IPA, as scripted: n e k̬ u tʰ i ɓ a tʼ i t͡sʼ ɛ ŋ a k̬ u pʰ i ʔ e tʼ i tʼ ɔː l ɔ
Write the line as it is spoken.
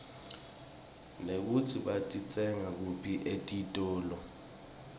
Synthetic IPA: n e k̬ u tʰ i ɓ a tʼ i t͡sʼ ɛ ŋ a k̬ u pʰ i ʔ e tʼ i tʼ ɔː l ɔ